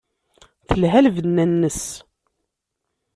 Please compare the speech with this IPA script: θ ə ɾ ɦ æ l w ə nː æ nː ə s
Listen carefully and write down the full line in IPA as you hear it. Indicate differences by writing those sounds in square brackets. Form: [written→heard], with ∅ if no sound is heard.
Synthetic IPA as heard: θ ə [ɾ→l] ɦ æ l [w→v] ə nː æ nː ə s